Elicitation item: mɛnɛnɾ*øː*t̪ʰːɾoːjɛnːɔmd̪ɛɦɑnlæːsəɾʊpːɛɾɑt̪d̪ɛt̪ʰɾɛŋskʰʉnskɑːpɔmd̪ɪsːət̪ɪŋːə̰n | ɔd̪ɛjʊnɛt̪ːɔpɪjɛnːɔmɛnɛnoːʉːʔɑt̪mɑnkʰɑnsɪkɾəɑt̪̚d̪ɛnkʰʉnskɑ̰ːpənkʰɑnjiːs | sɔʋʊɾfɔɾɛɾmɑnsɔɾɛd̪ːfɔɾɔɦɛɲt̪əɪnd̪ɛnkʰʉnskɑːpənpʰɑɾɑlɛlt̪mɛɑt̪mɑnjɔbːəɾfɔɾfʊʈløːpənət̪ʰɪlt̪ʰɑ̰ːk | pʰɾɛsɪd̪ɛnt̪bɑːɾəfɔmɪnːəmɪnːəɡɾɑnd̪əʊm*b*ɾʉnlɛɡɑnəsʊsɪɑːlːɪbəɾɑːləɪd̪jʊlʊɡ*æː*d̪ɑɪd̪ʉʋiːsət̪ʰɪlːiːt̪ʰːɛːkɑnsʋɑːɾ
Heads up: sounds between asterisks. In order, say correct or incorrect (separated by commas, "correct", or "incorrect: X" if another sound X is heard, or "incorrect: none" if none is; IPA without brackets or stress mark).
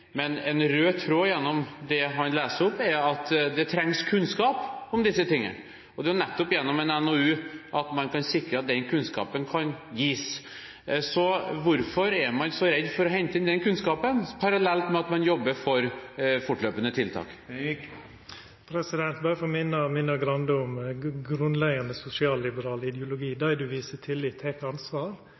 correct, incorrect: ɡ, incorrect: iː